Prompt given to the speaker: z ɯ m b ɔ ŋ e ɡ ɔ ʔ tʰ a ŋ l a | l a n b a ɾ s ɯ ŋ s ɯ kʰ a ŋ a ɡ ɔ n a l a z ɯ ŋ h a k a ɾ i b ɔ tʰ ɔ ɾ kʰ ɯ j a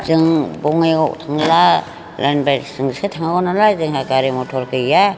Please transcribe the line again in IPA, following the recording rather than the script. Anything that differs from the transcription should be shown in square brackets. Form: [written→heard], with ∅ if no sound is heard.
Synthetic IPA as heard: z ɯ [m→ŋ] b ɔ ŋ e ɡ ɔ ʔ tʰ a ŋ l a | l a n b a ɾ s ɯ ŋ s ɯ [kʰ→tʰ] a ŋ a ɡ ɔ n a l a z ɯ ŋ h a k a ɾ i [b→m] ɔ tʰ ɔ ɾ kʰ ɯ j a